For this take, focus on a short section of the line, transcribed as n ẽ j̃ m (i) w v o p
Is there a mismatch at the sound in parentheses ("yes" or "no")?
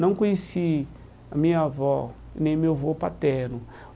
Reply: yes